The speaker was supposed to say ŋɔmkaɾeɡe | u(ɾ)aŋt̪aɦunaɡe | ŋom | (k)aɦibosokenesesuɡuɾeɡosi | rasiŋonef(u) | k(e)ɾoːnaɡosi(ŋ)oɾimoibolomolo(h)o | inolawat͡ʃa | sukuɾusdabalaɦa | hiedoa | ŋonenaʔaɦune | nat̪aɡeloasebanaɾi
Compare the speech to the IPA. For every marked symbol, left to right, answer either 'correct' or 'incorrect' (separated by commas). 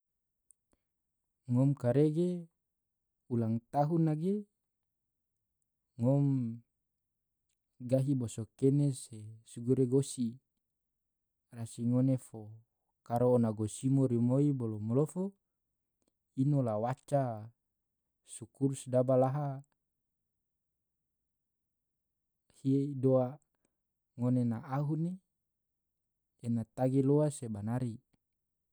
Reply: incorrect, incorrect, incorrect, incorrect, incorrect, incorrect